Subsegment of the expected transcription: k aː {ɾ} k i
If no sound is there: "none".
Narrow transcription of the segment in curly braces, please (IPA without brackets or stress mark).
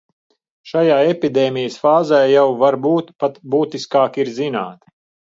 none